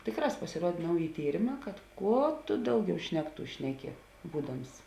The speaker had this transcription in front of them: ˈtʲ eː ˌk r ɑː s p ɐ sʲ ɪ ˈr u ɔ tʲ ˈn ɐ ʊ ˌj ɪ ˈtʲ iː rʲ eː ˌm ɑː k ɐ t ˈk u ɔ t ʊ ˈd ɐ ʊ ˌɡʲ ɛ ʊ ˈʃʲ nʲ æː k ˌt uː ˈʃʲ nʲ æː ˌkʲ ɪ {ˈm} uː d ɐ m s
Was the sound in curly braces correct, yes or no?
no